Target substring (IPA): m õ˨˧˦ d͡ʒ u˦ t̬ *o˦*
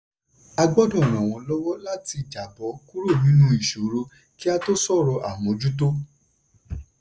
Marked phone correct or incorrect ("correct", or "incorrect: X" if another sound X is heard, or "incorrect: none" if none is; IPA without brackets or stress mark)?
correct